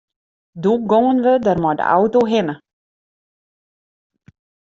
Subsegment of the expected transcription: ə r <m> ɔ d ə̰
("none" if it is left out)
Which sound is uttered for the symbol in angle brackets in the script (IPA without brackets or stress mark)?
m